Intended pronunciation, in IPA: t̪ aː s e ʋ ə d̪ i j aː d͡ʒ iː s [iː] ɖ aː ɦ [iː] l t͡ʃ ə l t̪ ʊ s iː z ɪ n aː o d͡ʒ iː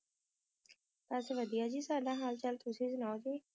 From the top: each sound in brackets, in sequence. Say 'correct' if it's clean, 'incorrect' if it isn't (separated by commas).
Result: incorrect, incorrect